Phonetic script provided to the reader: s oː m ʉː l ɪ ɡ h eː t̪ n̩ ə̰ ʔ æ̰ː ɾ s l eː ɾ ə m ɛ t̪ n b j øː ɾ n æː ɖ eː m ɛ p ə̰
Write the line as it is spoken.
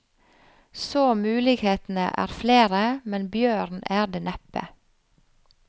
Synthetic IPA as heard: s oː m ʉː l ɪ ɡ h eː t̪ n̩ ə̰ ʔ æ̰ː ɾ f l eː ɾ ə m ɛ n b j øː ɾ n æː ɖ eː n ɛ p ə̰